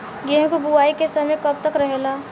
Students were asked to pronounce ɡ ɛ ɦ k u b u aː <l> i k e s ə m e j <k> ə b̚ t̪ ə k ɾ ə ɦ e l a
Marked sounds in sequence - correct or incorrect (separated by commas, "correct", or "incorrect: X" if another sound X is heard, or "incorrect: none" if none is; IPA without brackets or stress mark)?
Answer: incorrect: none, correct